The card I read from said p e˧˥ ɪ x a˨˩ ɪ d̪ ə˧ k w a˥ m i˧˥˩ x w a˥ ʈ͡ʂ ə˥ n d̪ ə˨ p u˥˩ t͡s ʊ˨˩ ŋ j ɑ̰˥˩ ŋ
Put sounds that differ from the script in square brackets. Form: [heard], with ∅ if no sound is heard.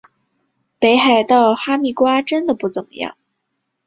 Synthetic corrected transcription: p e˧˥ ɪ x a˨˩ ɪ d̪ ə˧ [x] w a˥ m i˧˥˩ [k] w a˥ ʈ͡ʂ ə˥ n d̪ ə˨ p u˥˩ t͡s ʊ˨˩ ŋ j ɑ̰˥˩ ŋ